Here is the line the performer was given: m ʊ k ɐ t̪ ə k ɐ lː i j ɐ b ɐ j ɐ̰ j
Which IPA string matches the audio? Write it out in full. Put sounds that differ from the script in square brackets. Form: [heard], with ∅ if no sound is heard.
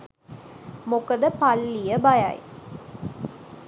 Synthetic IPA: m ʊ k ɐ [d̪] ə [p] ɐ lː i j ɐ b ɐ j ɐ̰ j